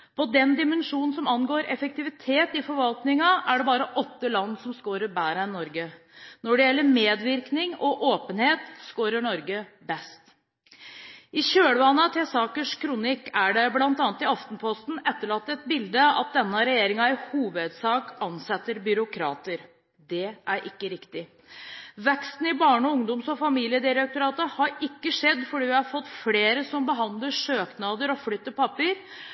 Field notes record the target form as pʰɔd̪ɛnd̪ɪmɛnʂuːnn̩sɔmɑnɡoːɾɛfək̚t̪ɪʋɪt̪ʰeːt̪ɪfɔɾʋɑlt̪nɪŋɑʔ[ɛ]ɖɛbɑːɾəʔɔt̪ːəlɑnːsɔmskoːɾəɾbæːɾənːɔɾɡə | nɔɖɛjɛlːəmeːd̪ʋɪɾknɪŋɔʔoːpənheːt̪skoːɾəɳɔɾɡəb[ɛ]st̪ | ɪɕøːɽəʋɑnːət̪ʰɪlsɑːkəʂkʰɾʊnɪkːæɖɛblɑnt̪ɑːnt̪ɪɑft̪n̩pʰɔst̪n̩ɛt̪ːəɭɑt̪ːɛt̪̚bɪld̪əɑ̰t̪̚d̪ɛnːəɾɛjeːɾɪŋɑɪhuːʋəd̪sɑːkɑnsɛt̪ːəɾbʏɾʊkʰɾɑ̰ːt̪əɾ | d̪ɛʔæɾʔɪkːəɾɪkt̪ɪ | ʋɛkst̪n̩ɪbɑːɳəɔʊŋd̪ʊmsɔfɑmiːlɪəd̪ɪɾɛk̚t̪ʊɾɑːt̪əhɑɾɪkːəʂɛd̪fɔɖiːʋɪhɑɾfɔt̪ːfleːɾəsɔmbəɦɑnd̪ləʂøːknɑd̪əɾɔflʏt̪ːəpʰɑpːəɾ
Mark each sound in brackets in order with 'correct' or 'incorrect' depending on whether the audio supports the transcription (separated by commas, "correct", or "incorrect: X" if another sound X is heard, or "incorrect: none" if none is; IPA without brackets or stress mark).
incorrect: æ, correct